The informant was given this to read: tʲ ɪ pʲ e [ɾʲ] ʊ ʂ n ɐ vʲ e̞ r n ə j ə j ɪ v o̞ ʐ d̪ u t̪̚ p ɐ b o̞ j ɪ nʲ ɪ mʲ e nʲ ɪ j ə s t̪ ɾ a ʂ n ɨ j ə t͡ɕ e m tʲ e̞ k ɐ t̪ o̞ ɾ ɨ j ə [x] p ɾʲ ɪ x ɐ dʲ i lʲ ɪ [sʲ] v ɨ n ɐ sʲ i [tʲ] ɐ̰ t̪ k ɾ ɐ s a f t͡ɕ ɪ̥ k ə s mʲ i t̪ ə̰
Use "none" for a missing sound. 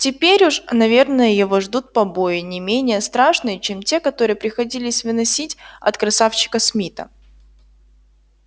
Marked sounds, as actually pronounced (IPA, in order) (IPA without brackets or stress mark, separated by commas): ɾʲ, none, sʲ, tʲ